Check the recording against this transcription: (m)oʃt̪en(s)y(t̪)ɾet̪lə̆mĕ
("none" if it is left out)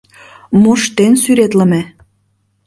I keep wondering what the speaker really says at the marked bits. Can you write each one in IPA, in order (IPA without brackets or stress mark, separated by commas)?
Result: m, s, none